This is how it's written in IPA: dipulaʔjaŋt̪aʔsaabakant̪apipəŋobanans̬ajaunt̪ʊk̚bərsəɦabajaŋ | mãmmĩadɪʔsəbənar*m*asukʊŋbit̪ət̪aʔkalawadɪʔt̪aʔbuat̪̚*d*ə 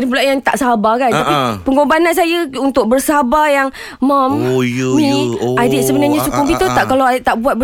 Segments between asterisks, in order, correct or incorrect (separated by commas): incorrect, incorrect